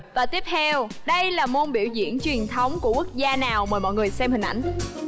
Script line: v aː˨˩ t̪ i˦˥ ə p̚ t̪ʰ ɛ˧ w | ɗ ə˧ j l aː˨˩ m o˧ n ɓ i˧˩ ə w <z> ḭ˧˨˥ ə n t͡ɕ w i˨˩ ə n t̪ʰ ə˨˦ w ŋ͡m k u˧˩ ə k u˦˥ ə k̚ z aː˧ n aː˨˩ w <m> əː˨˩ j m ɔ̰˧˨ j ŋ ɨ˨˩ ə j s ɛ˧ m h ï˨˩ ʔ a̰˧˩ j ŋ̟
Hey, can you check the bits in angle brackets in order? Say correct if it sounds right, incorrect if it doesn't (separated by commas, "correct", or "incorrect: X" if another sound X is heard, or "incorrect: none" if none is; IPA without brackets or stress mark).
correct, correct